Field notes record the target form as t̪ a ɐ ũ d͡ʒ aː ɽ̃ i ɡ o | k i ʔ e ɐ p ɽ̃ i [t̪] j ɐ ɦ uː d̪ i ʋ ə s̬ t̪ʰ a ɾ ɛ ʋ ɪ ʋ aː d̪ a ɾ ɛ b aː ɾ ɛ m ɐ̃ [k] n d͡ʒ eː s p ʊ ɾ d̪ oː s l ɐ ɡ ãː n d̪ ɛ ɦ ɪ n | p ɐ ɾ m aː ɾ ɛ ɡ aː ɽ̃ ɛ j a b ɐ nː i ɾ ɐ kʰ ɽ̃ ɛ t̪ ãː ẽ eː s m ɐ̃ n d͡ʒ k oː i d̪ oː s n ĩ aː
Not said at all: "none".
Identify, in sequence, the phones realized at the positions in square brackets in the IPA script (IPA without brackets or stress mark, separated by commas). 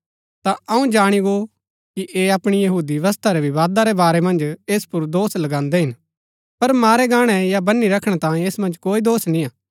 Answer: none, none